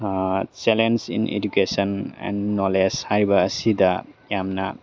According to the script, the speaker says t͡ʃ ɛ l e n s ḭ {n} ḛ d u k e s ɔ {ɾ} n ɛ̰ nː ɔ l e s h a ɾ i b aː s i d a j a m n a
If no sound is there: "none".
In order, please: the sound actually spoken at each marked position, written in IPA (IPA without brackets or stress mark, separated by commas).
n, none